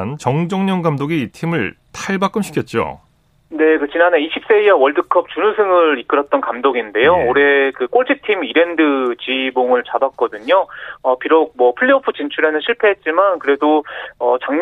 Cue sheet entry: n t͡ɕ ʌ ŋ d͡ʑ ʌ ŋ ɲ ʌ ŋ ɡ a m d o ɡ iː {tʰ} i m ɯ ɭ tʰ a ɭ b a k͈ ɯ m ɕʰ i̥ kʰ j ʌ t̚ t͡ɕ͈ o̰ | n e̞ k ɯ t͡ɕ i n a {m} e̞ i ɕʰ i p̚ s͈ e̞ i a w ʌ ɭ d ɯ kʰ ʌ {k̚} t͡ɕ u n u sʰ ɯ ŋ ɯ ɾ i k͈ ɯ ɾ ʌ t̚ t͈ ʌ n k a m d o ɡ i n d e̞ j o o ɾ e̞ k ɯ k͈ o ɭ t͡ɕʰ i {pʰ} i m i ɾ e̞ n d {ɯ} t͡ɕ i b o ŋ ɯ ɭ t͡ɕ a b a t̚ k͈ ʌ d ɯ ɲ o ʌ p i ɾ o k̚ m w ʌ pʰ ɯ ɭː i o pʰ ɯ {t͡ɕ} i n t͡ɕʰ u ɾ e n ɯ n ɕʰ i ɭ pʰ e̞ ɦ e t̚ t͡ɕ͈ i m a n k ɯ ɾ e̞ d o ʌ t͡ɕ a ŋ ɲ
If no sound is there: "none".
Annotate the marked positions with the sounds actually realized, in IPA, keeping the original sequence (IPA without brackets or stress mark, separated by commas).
tʰ, n, p̚, tʰ, ɯ, t͡ɕ